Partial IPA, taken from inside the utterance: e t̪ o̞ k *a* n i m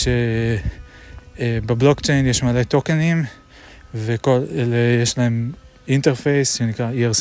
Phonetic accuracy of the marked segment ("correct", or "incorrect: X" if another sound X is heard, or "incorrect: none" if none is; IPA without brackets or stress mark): incorrect: e